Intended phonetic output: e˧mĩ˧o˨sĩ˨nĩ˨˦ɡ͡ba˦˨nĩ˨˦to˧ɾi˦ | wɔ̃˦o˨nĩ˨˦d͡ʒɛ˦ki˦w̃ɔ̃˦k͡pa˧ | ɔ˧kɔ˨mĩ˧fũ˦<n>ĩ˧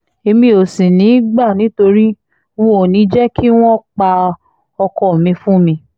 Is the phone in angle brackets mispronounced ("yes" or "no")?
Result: yes